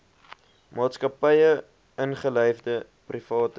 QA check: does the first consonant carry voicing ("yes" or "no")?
yes